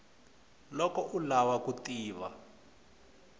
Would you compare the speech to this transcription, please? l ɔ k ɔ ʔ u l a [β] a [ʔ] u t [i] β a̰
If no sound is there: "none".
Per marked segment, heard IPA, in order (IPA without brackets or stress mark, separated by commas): w, k, iː